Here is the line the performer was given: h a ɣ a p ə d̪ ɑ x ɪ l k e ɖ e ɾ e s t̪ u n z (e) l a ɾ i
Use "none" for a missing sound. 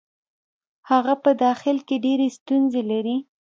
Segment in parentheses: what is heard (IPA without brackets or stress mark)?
e